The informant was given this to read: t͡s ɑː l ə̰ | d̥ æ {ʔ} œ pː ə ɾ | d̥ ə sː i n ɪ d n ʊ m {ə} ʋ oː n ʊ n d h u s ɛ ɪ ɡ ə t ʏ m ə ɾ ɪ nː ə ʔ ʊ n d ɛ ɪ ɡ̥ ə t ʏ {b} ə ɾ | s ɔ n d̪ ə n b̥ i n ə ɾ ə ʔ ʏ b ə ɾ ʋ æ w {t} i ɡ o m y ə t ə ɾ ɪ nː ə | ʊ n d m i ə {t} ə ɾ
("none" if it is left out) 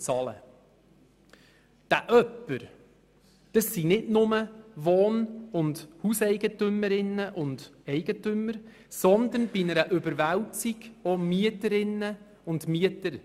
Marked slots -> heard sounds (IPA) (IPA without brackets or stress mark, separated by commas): ʔ, ə, m, t͡s, t